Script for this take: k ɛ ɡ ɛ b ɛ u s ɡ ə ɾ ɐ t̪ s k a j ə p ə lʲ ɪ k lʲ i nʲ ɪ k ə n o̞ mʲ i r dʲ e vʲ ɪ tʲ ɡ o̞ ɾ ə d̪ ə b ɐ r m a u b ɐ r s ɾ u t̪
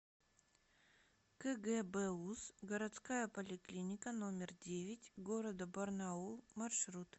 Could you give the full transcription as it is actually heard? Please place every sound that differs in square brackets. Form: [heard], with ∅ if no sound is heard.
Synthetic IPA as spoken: k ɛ ɡ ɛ b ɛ u s ɡ ə ɾ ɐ t̪ s k a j ə p ə lʲ ɪ k lʲ i nʲ ɪ k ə n o̞ mʲ [ɪ] r dʲ e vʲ ɪ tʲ ɡ o̞ ɾ ə d̪ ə b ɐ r [n] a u [m] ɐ r [ʂ] ɾ u t̪